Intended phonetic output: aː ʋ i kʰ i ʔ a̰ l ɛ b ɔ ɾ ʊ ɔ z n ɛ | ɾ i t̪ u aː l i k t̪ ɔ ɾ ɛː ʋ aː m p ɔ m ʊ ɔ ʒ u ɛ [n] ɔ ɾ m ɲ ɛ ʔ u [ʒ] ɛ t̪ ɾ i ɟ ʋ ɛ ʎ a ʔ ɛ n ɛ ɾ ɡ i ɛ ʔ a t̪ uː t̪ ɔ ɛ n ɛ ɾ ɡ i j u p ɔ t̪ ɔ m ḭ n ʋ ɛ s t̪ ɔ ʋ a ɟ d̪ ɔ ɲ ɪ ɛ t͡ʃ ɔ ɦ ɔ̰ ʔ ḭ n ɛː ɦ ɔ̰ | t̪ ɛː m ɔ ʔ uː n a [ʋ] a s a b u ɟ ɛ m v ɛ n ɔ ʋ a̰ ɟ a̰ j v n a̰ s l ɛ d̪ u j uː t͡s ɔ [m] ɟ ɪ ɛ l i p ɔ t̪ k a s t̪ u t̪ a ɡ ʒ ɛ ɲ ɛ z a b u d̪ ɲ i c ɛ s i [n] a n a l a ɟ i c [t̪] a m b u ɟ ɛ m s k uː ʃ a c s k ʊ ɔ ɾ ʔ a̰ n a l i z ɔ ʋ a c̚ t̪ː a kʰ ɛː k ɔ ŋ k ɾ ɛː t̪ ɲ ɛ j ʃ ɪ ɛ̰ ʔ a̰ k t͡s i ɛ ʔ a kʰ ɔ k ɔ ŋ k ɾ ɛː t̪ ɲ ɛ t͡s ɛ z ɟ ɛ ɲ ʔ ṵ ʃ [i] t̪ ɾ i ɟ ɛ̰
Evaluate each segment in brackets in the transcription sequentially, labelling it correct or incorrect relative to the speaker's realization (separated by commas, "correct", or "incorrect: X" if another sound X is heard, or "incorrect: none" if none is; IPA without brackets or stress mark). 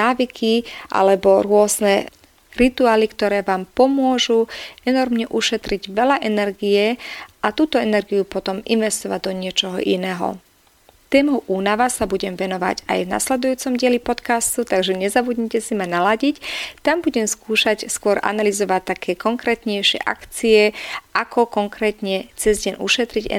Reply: correct, incorrect: ʃ, correct, correct, incorrect: m, correct, incorrect: ɛ